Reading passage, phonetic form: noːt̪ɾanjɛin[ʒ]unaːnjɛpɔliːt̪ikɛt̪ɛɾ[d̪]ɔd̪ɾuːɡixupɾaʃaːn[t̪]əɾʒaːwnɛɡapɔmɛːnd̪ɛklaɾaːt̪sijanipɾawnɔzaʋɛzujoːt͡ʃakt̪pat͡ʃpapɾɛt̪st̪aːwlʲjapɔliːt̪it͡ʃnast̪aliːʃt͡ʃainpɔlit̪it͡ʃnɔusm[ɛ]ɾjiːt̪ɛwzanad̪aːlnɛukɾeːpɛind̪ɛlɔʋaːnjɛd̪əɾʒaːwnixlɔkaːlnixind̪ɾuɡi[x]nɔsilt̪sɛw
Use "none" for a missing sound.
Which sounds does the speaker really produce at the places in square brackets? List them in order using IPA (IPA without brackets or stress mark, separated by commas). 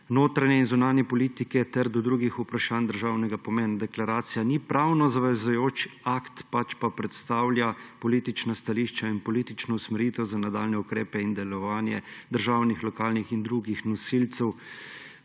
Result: z, d̪, d̪, ɛ, x